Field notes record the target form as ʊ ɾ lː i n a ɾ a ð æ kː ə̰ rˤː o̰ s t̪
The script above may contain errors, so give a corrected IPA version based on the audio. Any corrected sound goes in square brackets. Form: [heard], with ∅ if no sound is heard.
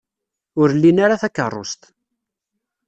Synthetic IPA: ʊ ɾ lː i n a ɾ a [θ] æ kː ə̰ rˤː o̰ s t̪